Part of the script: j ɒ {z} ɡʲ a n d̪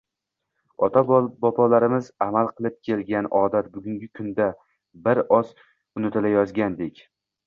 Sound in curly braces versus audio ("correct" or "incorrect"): correct